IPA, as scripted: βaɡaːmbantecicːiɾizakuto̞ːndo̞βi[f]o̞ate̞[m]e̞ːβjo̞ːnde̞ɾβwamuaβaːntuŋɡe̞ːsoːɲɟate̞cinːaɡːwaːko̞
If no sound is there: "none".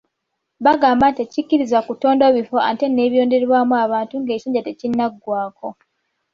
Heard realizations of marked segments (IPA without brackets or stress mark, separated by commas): f, n